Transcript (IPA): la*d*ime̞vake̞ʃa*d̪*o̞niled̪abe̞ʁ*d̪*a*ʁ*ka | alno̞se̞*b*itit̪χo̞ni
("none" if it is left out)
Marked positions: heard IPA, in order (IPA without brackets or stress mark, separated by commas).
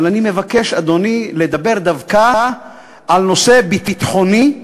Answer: n, d̪, d̪, v, b